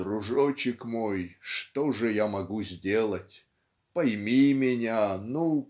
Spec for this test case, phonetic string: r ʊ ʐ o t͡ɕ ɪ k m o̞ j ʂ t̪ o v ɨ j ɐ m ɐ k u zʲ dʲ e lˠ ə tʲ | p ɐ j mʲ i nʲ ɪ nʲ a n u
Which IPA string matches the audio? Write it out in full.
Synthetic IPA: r ʊ ʐ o t͡ɕ ɪ k m o̞ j ʂ t̪ o ʐ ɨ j a m ɐ ɡ u zʲ dʲ e lˠ ə tʲ | p ɐ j mʲ i mʲ ɪ nʲ a n u